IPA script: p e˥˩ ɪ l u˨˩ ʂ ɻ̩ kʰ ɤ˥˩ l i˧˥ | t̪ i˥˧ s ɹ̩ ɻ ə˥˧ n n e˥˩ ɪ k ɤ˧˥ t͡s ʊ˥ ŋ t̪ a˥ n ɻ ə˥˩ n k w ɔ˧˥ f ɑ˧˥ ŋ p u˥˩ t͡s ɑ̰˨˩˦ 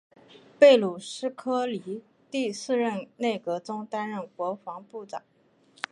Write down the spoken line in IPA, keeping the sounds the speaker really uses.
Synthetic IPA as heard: p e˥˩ ɪ l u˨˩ ʂ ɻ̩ kʰ ɤ˥ l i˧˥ | t̪ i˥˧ s ɹ̩ ɻ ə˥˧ n n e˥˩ ɪ k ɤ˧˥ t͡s ʊ˥ ŋ t̪ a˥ n ɻ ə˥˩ n k w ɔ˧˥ f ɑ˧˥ ŋ p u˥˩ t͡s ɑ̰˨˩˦